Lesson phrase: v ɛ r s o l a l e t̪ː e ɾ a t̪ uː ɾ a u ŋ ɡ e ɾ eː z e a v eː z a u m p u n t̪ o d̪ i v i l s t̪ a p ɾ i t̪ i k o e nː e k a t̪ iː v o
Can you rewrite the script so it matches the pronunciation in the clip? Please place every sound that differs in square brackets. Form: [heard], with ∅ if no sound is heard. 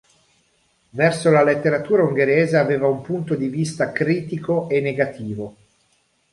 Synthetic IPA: v ɛ r s o l a l e t̪ː e ɾ a t̪ uː ɾ a u ŋ ɡ e ɾ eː z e a v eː [v] a u m p u n t̪ o d̪ i v i [∅] s t̪ a [k] ɾ [iː] t̪ i k o e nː e [ɡ] a t̪ iː v o